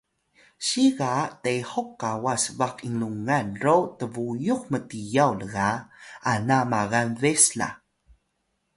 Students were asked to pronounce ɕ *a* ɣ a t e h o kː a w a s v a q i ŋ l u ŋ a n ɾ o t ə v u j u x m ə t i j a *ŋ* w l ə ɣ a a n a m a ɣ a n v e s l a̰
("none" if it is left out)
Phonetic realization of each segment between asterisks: i, none

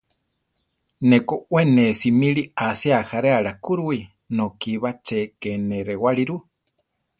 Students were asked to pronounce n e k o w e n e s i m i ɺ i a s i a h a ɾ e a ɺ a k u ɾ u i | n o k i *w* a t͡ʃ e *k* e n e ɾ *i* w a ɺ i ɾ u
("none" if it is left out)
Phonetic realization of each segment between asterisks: β, k, e

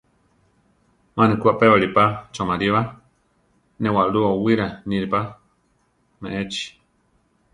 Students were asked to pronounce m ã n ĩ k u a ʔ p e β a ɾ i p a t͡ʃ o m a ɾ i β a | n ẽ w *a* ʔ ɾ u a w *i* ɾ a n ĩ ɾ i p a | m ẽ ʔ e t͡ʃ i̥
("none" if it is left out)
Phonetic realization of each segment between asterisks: a, i

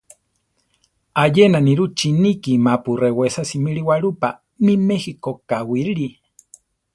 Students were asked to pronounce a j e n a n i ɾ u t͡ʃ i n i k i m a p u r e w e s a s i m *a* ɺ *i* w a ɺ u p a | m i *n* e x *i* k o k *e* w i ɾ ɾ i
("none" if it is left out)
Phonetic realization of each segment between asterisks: i, i, m, i, a

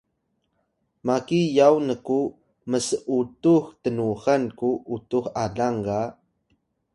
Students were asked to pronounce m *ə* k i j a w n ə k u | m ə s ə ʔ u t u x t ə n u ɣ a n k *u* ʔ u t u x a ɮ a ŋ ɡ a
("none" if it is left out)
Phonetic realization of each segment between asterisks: a, u

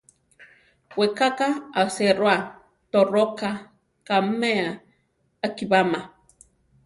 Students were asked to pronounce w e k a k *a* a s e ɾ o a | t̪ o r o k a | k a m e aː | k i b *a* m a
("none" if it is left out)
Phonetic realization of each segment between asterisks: a, a

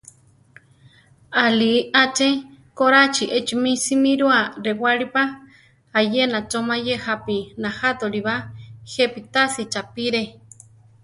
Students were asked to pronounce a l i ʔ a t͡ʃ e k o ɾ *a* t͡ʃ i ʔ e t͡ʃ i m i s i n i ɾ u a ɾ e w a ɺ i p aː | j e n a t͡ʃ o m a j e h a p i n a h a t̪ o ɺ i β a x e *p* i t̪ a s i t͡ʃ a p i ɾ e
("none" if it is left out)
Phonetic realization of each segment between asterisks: a, p

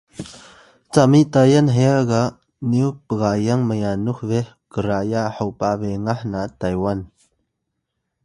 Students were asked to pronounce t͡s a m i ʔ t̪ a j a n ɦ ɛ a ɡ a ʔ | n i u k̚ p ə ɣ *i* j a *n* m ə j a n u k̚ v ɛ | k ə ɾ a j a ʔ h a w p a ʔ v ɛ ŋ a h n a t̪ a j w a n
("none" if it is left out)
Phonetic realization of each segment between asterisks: a, ŋ

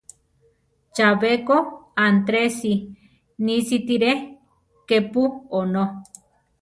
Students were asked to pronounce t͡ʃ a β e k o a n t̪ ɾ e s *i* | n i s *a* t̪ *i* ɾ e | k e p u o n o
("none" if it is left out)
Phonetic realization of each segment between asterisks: i, i, i

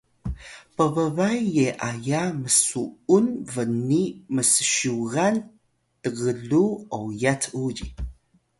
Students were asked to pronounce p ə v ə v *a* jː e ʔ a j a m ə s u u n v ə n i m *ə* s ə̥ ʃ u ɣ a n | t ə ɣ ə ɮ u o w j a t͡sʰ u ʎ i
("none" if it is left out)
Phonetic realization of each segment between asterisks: a, ə

